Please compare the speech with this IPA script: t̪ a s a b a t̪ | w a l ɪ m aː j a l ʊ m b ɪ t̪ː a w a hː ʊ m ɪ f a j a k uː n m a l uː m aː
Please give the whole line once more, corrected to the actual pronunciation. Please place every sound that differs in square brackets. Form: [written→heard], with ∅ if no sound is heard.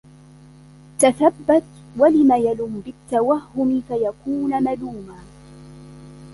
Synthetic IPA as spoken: t̪ a [s→θ] a [b→bː] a t̪ | w a l ɪ m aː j a l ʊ m b ɪ t̪ː a w a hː ʊ m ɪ f a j a k uː n m a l uː m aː